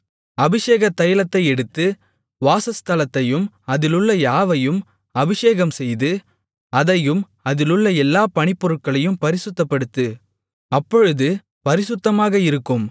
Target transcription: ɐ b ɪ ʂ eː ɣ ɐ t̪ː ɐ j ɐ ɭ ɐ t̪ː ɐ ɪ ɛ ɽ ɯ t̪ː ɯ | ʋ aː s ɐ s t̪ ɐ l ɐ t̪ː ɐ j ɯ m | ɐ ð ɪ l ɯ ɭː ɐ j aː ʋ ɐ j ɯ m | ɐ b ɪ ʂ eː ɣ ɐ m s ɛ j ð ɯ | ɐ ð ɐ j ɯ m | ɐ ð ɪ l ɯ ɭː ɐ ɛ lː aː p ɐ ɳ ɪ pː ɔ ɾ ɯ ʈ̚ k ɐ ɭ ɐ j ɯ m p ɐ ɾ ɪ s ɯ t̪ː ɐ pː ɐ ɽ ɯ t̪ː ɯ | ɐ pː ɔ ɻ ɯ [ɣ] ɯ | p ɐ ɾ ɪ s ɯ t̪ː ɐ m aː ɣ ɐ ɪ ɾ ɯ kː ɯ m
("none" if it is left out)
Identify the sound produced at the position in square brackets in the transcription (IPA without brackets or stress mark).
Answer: ð